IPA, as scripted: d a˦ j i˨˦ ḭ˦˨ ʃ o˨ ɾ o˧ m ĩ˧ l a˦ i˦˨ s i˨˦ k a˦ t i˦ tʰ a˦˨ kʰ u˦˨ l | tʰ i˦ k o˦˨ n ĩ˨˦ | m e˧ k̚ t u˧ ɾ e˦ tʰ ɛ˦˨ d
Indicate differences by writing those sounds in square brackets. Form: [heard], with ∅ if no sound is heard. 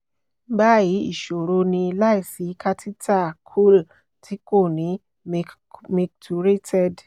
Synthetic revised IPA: [b] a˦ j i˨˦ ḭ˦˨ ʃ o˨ ɾ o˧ [n] ĩ˧ l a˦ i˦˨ s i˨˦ k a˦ t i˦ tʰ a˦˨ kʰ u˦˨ l | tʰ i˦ k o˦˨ n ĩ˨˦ | m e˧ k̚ t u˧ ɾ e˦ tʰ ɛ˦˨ d